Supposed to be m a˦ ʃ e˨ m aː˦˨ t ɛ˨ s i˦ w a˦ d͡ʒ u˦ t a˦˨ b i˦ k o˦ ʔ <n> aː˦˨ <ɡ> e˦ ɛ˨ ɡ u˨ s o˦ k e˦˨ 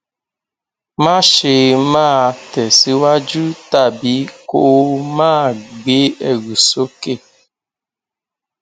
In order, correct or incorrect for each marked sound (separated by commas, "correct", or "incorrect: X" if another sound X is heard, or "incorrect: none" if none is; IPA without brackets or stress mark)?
incorrect: m, incorrect: ɡ͡b